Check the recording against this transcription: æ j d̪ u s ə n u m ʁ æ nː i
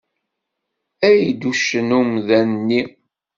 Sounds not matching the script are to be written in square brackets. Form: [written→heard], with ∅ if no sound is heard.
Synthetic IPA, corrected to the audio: æ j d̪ u [s→ʃ] ə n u m [ʁ→ð] æ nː i